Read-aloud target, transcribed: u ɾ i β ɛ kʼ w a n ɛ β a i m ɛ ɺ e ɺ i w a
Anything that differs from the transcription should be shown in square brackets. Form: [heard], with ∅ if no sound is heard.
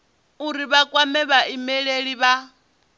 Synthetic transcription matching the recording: u ɾ i β [a] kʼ w a [m] ɛ β a i m ɛ ɺ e ɺ i [β] a